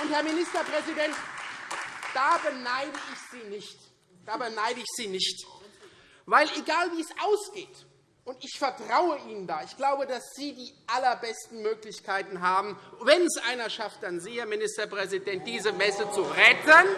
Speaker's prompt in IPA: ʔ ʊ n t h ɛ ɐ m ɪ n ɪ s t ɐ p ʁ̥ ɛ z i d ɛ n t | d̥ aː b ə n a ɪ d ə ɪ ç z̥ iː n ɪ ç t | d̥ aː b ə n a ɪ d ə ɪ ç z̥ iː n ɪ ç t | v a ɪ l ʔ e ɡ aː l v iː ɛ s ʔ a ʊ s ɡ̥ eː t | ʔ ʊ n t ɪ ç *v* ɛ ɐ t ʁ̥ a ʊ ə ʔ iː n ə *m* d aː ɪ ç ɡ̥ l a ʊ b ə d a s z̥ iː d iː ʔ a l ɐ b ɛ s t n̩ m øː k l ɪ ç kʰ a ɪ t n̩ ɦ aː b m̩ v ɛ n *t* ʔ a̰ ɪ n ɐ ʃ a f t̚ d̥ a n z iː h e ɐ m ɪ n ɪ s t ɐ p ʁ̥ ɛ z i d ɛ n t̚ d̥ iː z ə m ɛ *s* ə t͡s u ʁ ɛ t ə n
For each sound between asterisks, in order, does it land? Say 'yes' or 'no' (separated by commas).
no, no, no, yes